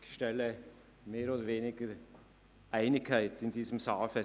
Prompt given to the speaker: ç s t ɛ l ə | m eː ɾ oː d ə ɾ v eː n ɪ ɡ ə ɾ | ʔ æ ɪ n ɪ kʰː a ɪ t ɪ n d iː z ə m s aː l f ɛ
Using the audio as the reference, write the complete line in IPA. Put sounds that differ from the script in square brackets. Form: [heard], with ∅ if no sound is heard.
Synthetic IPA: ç [ʃ] t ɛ l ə | m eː ɾ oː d ə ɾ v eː n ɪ ɡ ə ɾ | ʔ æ ɪ n ɪ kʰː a ɪ t ɪ n d iː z ə m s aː l f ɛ